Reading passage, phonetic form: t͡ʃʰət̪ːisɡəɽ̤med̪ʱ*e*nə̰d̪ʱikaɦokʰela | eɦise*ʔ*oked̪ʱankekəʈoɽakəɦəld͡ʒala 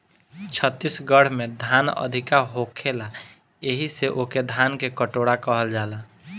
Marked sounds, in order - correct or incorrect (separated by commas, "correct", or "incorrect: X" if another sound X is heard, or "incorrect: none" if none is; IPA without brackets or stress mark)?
incorrect: a, correct